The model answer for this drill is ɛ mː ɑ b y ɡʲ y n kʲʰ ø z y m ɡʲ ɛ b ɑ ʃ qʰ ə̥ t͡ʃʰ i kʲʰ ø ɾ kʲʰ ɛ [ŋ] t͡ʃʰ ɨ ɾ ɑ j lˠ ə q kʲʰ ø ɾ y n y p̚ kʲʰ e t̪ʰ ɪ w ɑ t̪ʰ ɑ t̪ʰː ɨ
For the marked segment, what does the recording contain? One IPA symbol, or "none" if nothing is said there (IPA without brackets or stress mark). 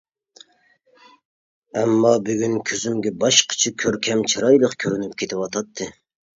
m